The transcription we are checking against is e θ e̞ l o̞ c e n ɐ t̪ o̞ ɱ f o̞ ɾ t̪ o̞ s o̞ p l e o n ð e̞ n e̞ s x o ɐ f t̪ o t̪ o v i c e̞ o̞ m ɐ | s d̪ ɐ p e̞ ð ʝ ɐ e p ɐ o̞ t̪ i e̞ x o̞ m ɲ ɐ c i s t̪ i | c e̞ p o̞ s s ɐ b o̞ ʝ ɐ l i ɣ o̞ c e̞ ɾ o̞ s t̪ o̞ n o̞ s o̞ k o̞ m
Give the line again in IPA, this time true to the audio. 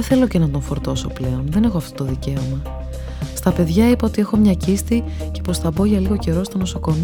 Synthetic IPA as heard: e θ e̞ l o̞ c e n ɐ t̪ o̞ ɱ f o̞ ɾ t̪ o̞ s o̞ p l e o n ð e̞ n e̞ x o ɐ f t̪ o t̪ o ð i c e̞ o̞ m ɐ | s t̪ ɐ p e̞ ð ʝ ɐ i p ɐ o̞ t̪ i e̞ x o̞ m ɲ ɐ c i s t̪ i | c e̞ p o̞ s θ ɐ b o̞ ʝ ɐ l i ɣ o̞ c e̞ ɾ o̞ s t̪ o̞ n o̞ s o̞ k o̞ m